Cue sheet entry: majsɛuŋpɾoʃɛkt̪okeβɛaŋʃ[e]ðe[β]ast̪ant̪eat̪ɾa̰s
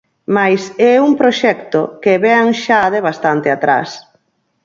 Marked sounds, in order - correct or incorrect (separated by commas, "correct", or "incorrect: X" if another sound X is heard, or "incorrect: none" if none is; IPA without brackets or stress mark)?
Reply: incorrect: a, correct